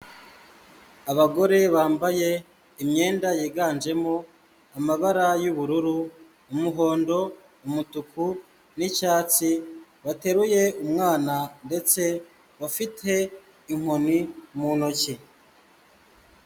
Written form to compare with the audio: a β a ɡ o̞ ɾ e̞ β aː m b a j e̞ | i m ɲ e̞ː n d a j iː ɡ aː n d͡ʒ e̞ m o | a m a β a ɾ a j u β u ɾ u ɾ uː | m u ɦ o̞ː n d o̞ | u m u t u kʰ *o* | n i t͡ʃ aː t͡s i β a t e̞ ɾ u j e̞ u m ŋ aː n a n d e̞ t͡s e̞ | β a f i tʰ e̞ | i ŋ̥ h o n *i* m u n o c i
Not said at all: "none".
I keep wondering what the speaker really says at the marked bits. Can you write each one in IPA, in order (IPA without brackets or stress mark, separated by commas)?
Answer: u, i